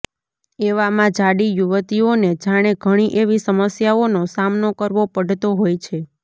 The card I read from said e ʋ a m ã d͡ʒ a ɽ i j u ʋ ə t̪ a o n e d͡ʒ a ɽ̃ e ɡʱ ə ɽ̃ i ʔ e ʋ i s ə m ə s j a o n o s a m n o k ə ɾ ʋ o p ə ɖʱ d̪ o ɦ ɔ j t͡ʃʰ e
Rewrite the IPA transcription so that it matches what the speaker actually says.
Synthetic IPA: e ʋ a m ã d͡ʒ a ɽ i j u ʋ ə t̪ i o n e d͡ʒ a ɽ̃ e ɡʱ ə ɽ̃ i ʔ e ʋ i s ə m ə s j a o n o s a m n o k ə ɾ ʋ o p ə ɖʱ t̪ o ɦ o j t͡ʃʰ e